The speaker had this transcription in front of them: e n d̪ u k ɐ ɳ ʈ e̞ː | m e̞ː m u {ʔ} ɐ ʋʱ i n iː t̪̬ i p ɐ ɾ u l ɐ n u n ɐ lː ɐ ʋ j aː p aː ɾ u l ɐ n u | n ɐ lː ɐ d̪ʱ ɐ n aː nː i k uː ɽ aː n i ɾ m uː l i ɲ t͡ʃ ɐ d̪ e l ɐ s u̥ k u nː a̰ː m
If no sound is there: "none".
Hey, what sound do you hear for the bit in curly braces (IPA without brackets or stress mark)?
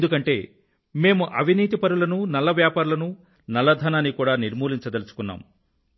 ʔ